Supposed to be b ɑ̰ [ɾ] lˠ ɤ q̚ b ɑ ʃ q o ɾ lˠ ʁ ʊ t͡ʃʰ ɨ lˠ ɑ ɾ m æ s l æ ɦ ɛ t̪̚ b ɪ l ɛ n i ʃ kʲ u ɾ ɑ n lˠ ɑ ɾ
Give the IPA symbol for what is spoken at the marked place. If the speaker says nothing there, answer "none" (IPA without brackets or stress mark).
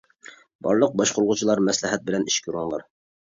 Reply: ɾ